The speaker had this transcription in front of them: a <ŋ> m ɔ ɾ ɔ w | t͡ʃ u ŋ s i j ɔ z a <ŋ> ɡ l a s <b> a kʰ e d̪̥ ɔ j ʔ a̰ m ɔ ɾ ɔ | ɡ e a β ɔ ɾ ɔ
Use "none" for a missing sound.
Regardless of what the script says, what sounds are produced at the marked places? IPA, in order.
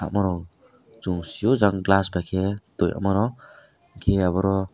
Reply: none, ŋ, b

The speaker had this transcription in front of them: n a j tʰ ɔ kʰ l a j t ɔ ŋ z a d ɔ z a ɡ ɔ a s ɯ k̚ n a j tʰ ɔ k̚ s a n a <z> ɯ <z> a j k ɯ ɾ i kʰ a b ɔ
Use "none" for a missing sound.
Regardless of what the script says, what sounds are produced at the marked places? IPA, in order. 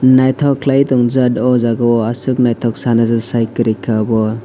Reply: z, s

